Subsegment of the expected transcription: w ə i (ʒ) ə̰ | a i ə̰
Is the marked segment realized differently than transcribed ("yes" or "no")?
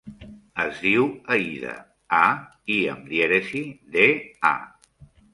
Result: yes